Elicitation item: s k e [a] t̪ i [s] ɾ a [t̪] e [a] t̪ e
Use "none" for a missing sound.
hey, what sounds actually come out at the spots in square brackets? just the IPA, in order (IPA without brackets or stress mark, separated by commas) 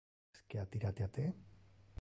a, none, t̪, a